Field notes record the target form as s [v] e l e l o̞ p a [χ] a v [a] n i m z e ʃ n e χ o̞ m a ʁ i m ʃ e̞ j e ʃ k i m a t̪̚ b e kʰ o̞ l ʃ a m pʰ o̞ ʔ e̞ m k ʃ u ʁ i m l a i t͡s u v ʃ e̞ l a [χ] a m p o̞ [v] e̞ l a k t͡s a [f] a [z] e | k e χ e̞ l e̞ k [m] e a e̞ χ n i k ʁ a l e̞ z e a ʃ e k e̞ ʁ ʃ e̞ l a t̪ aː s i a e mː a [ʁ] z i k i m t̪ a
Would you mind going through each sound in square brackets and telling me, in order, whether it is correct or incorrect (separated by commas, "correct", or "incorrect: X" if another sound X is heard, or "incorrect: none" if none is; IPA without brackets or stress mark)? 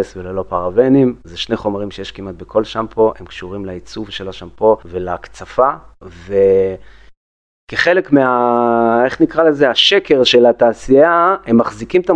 correct, incorrect: ʁ, incorrect: e, incorrect: ʃ, correct, correct, incorrect: v, correct, incorrect: χ